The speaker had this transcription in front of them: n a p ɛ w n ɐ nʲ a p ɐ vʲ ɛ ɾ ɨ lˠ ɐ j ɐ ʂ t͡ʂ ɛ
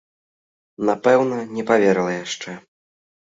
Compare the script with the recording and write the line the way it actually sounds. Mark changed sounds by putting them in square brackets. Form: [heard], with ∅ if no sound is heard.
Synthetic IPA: n a p ɛ w n ɐ nʲ [ɛ] p [a] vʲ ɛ ɾ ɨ lˠ ɐ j [a] ʂ t͡ʂ ɛ